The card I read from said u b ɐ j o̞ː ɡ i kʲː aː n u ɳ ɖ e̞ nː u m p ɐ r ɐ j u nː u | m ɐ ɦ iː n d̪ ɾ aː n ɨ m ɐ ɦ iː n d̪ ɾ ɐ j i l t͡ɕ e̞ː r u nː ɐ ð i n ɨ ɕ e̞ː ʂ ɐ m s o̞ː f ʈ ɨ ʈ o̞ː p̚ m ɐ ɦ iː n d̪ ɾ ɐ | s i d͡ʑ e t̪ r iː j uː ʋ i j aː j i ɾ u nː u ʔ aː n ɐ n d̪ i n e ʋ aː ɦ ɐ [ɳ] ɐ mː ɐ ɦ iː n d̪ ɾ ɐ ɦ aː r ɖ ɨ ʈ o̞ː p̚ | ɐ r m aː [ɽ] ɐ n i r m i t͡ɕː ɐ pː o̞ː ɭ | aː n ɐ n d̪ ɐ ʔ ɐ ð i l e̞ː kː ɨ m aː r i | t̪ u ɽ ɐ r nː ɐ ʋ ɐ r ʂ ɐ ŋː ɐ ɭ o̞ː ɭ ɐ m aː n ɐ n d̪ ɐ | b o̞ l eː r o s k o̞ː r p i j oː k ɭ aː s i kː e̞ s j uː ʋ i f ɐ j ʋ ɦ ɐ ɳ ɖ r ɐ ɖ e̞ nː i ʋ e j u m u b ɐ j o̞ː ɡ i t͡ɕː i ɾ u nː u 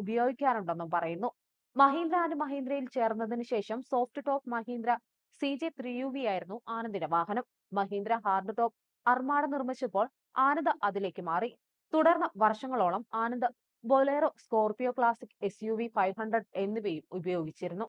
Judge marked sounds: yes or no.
no, yes

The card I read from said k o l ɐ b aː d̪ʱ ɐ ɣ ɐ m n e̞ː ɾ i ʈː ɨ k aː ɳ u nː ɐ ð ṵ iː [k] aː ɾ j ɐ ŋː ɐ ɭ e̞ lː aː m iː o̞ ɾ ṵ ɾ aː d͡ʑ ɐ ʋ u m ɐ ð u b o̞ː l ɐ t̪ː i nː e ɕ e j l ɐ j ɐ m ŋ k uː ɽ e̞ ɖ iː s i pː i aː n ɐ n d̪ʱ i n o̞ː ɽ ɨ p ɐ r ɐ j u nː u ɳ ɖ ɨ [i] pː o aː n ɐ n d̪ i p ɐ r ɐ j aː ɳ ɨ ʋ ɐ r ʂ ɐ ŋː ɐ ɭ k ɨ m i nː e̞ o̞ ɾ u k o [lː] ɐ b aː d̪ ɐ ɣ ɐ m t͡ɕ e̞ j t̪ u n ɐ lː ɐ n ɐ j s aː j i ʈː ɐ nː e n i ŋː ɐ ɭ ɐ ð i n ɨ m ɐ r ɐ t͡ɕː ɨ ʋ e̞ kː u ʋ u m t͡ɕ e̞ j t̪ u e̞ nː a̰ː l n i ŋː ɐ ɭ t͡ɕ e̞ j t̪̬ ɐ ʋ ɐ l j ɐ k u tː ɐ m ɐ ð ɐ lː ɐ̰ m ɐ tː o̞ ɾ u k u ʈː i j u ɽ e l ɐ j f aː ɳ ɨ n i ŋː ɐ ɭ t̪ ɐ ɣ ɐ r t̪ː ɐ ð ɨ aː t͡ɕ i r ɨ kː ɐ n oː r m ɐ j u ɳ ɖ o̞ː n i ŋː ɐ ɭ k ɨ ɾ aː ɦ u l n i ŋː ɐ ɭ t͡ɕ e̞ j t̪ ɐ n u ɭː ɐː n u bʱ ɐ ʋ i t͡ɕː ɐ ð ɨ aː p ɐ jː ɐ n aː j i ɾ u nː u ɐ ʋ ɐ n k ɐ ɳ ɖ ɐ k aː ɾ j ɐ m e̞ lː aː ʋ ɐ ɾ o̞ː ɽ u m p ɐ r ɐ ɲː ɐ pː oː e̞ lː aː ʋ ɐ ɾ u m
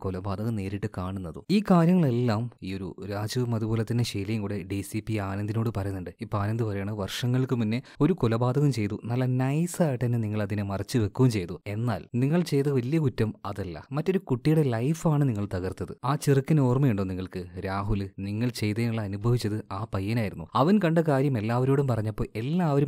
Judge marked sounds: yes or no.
yes, yes, no

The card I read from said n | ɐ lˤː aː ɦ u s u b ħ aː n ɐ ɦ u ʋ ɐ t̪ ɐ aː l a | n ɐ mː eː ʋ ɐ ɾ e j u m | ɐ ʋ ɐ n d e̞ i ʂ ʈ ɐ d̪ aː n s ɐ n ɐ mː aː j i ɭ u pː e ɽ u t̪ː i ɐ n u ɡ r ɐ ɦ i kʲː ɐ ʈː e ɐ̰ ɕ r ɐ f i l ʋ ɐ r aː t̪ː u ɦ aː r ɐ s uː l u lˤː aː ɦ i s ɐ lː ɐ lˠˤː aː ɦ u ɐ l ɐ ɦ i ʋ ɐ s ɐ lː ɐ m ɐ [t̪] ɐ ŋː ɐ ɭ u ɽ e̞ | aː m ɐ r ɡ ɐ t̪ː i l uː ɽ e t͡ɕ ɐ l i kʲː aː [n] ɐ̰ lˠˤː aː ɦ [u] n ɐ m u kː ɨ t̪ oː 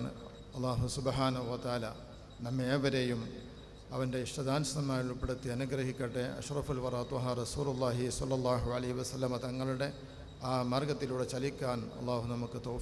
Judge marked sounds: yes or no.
yes, yes, yes

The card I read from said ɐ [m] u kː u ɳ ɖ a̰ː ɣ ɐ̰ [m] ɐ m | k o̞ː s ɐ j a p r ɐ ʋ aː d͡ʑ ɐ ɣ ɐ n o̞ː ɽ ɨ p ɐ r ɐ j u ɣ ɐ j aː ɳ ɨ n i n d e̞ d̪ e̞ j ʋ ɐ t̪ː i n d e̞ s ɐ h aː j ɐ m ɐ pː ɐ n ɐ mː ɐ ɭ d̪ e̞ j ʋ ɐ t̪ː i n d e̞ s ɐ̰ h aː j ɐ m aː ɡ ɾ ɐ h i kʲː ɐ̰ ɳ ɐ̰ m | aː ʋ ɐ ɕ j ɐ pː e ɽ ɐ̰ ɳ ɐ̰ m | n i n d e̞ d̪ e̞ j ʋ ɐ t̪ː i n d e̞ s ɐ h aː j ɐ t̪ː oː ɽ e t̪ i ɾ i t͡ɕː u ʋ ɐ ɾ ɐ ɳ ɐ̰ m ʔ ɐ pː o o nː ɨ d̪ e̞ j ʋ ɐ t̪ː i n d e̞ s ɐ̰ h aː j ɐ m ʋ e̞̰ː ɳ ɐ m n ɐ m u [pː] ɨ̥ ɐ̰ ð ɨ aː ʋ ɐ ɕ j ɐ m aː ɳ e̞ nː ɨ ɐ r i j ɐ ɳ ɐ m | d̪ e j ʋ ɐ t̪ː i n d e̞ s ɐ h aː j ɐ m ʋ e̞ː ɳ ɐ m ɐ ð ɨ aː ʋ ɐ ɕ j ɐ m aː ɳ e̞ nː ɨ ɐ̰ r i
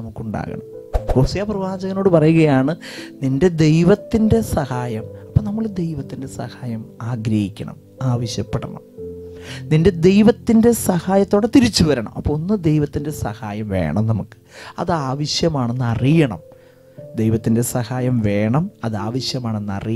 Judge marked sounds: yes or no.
yes, no, no

